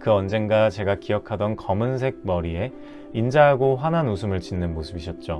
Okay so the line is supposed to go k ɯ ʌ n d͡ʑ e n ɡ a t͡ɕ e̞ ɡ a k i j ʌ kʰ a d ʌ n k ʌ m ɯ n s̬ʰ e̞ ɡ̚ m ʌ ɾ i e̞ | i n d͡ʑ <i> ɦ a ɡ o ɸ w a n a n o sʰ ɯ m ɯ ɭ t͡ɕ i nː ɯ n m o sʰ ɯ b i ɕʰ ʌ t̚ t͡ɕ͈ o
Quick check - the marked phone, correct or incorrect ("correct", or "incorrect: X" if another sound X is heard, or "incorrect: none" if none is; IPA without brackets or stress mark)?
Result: incorrect: a